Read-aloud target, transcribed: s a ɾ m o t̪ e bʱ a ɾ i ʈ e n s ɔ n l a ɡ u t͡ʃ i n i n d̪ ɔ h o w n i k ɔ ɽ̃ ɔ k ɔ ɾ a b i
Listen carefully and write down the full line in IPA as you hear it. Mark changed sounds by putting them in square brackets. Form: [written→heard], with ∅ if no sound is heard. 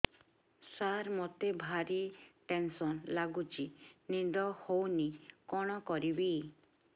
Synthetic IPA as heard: s a ɾ m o t̪ e bʱ a ɾ i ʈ e n s ɔ n l a ɡ u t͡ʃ i n i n d̪ ɔ h o w n i k ɔ ɽ̃ ɔ k ɔ ɾ [a→i] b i